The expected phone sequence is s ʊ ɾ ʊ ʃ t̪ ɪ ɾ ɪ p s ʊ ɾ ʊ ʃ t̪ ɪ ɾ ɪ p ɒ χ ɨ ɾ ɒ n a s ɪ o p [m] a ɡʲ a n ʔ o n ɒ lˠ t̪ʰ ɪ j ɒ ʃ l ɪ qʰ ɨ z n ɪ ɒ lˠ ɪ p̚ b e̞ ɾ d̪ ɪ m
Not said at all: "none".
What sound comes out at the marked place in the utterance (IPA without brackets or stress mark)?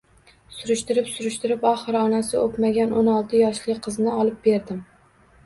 m